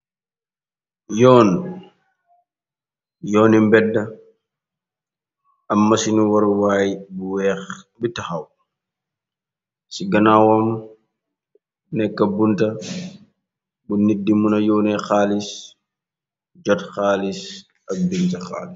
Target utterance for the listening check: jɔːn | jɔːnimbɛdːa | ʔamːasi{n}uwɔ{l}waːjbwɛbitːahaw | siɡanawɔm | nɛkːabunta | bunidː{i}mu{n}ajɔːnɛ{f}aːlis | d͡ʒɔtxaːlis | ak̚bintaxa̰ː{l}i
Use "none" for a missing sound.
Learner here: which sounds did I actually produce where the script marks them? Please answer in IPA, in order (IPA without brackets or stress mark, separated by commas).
n, ɾ, i, n, x, l